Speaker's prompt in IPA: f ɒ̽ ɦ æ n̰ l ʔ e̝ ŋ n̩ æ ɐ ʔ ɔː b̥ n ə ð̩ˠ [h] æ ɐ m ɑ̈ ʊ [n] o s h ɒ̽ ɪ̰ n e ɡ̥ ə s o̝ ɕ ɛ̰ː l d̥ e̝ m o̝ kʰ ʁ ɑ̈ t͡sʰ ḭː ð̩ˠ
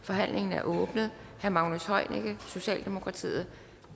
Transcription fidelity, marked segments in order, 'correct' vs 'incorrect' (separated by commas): correct, correct